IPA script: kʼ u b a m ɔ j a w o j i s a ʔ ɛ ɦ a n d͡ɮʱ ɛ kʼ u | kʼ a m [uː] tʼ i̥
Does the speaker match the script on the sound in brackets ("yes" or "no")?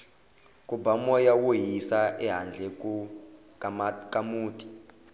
yes